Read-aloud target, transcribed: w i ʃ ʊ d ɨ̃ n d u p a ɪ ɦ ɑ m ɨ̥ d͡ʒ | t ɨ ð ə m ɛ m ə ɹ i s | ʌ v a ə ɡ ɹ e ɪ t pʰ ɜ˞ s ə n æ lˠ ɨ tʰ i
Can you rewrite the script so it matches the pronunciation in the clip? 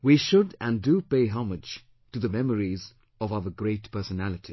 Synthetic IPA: w i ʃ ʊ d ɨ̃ n d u p e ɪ ɦ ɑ m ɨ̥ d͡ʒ | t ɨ ð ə m ɛ m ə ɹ i z | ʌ v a ə ɡ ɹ e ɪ t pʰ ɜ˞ s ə n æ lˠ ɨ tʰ i